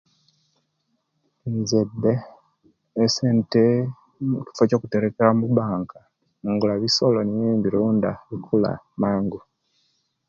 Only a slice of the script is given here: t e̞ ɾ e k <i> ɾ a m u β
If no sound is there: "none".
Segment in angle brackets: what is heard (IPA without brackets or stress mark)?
e